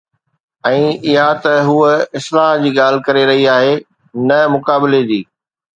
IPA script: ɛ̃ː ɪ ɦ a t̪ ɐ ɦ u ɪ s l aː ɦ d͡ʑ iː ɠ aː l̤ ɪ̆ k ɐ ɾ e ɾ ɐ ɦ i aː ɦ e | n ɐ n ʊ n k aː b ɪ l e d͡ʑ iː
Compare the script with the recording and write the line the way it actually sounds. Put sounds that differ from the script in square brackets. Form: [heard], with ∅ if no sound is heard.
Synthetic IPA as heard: ɛ̃ː ɪ ɦ a t̪ ɐ ɦ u ɪ s l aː ɦ d͡ʑ iː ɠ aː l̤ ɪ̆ k ɐ ɾ e ɾ ɐ ɦ i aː ɦ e | n ɐ [m] ʊ [∅] k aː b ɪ l e d͡ʑ iː

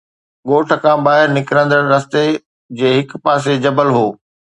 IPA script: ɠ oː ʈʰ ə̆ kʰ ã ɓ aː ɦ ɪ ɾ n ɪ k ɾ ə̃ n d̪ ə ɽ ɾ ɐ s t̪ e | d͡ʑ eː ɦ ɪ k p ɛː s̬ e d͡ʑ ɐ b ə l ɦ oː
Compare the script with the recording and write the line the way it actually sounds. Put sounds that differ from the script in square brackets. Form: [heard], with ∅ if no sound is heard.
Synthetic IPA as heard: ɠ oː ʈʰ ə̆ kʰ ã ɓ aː ɦ ɪ ɾ n ɪ k ɾ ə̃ n d̪ ə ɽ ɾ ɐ s t̪ e | d͡ʑ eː ɦ ɪ k p [aː] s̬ e d͡ʑ ɐ b ə l ɦ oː

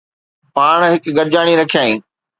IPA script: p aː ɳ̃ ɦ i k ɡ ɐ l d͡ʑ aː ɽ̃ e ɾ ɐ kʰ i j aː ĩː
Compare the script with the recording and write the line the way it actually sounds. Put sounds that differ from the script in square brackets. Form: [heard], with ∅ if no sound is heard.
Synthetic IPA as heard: p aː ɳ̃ ɦ [ɪ] k ɡ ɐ [ɾ] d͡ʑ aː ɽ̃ [i] ɾ ɐ kʰ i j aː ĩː

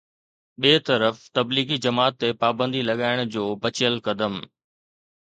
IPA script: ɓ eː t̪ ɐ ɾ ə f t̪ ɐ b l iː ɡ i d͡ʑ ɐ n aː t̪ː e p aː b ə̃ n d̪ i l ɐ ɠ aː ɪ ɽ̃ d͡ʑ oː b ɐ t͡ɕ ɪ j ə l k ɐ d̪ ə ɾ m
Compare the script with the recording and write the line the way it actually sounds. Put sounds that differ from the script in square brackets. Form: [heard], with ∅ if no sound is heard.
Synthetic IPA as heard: ɓ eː t̪ ɐ ɾ ə f t̪ ɐ b l iː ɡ i d͡ʑ ɐ [m] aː t̪ː e p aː b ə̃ n d̪ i l ɐ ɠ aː ɪ ɽ̃ d͡ʑ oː b ɐ t͡ɕ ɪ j ə l k ɐ d̪ ə [∅] m

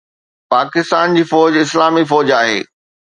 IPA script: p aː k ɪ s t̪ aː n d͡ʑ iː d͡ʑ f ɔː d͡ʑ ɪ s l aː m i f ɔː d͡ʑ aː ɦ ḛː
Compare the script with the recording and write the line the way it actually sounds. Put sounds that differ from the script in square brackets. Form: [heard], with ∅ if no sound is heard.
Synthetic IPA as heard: p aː k ɪ s t̪ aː n d͡ʑ iː [∅] f ɔː d͡ʑ ɪ s l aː m i f ɔː d͡ʑ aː ɦ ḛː

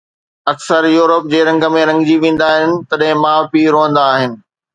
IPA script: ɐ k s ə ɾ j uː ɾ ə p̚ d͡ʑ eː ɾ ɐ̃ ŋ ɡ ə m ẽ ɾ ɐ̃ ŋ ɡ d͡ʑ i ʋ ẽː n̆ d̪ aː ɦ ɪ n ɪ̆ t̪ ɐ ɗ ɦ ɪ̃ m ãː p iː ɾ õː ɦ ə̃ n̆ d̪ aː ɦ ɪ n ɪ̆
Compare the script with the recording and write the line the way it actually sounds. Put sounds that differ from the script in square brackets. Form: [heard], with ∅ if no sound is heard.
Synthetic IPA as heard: ɐ k s ə ɾ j uː ɾ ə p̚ d͡ʑ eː ɾ ɐ̃ ŋ ɡ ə m ẽ ɾ ɐ̃ ŋ ɡ d͡ʑ i ʋ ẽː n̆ d̪ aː ɦ ɪ n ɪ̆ t̪ ɐ ɗ ɦ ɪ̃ m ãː p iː ɾ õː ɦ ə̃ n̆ d̪ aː ɦ ɪ n ɪ̆

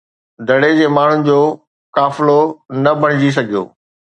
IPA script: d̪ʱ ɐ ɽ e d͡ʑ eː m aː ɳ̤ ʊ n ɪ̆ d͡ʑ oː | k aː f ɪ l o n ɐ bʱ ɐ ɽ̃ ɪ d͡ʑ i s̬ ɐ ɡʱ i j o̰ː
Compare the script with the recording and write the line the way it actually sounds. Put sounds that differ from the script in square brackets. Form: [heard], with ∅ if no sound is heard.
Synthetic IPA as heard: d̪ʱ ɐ ɽ e d͡ʑ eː m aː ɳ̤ ʊ n ɪ̆ d͡ʑ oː | k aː f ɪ l o n ɐ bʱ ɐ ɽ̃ ɪ d͡ʑ i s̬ ɐ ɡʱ i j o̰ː

